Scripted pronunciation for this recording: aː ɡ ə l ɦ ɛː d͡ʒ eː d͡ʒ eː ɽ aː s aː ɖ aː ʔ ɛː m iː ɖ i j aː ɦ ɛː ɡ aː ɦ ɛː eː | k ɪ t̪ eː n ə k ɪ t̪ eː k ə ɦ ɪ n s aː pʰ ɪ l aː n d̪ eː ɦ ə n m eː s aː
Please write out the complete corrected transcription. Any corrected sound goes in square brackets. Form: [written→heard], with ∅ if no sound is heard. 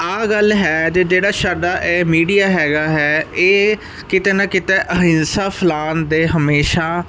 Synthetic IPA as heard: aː ɡ ə l ɦ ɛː d͡ʒ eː d͡ʒ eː ɽ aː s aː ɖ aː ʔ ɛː m iː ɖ i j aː ɦ ɛː ɡ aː ɦ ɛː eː | k ɪ t̪ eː n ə k ɪ t̪ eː [k→ʔ] ə ɦ ɪ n s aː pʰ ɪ l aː n d̪ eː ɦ ə [n→∅] m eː [s→ʃ] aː